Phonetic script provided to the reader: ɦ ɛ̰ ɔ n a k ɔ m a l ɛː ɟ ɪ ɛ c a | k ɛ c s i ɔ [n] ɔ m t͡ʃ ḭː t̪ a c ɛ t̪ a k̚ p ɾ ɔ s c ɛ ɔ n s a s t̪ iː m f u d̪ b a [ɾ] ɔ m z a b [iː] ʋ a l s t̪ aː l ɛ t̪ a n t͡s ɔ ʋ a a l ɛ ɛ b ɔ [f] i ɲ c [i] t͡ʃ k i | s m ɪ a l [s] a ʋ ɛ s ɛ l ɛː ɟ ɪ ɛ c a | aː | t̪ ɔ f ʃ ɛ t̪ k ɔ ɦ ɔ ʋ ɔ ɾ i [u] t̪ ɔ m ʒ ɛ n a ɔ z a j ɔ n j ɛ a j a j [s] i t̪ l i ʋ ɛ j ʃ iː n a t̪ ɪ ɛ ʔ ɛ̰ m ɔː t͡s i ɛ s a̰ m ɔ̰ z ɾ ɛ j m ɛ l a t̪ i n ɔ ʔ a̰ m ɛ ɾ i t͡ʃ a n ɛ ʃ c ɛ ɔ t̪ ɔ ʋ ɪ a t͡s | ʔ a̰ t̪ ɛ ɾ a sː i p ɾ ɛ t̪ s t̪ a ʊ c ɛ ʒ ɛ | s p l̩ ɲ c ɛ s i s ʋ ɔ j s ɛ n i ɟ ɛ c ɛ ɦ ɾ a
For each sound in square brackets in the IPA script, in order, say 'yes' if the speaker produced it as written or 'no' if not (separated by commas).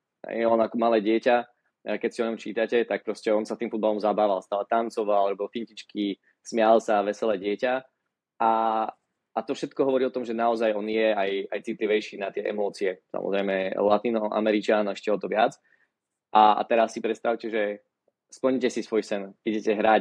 no, no, no, yes, yes, yes, no, no